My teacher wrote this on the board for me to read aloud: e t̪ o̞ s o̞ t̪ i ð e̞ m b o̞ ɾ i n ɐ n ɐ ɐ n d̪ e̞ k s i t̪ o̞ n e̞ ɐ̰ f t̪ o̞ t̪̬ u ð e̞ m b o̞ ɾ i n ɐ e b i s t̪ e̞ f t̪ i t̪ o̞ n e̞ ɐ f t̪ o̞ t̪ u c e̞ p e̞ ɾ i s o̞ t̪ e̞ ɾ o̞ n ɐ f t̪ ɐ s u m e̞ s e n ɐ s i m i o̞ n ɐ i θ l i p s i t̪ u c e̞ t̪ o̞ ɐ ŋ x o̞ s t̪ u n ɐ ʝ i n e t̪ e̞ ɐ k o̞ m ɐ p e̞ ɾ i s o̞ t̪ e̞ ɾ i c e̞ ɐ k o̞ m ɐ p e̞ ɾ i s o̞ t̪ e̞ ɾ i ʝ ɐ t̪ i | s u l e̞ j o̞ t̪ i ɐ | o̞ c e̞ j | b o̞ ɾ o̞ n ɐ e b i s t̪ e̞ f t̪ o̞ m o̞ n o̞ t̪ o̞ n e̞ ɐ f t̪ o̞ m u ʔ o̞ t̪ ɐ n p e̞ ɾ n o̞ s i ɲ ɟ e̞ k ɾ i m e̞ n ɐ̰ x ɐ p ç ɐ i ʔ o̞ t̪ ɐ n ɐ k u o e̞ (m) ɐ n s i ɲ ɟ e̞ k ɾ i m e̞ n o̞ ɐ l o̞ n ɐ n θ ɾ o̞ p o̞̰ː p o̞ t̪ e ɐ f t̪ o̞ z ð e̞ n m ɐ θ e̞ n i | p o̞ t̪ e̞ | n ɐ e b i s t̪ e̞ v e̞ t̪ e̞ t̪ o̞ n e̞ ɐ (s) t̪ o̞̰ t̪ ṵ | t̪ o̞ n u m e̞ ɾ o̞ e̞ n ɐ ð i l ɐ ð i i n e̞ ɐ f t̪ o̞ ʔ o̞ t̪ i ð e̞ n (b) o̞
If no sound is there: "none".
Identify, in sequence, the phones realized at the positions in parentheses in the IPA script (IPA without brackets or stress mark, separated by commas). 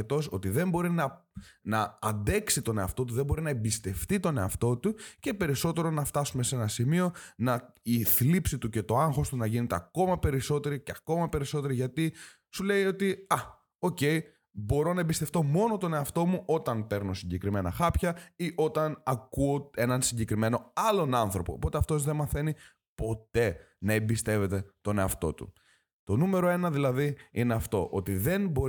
n, f, b